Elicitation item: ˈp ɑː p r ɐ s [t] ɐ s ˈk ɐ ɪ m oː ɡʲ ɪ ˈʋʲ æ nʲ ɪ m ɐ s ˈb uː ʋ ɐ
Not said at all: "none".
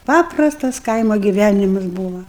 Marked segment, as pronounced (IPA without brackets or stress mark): t